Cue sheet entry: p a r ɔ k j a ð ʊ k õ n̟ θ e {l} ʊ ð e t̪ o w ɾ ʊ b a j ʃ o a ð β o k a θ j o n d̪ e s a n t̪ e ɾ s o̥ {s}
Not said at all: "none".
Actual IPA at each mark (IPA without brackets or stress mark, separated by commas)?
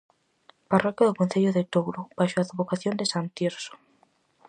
ʎ, none